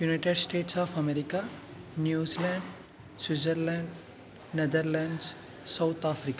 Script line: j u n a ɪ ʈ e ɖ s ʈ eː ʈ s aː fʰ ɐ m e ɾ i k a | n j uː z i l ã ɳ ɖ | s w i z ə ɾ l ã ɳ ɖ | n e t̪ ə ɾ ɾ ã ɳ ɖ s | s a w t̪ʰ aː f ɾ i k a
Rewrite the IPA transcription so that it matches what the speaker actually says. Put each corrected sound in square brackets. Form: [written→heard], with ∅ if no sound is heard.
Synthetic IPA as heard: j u n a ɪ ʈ e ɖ s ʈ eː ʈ s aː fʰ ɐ m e ɾ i k a | n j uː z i l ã ɳ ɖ | s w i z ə ɾ l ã ɳ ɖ | n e [t̪→d̪] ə ɾ [ɾ→l] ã ɳ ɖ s | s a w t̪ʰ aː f ɾ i k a